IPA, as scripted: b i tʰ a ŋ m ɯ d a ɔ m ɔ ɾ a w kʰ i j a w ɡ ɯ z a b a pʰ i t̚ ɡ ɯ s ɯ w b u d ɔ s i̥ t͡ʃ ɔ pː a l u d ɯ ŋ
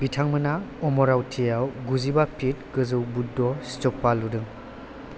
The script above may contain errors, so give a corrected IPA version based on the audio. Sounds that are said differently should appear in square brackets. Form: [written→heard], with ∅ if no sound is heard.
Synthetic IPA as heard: b i tʰ a ŋ m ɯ [d→n] a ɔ m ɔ ɾ a w [kʰ→tʰ] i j a w ɡ [ɯ→u] z [a→i] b a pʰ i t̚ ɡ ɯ [s→z] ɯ w b u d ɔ s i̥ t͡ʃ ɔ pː a l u d ɯ ŋ